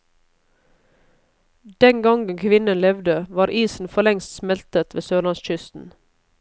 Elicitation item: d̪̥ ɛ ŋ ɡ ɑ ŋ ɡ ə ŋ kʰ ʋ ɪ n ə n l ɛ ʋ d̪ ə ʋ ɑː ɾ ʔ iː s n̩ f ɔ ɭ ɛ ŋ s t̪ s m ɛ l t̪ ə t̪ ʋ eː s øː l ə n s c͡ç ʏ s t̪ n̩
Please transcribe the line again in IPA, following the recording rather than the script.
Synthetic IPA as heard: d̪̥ ɛ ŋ ɡ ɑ ŋ ɡ ə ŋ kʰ ʋ ɪ n ə n l ɛ ʋ d̪ ə ʋ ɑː ɾ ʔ iː s n̩ f ɔ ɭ ɛ ŋ s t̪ s m ɛ l t̪ ə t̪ ʋ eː s øː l ɑ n s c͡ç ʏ s t̪ n̩